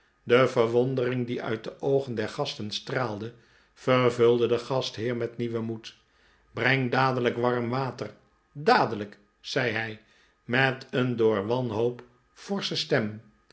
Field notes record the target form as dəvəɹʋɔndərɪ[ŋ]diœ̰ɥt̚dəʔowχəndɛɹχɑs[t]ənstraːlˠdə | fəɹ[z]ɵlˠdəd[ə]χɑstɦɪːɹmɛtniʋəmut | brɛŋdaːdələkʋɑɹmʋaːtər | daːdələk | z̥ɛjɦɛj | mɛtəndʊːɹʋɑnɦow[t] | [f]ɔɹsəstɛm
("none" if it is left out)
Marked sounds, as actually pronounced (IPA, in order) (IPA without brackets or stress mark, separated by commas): ŋ, t, v, ə, p, f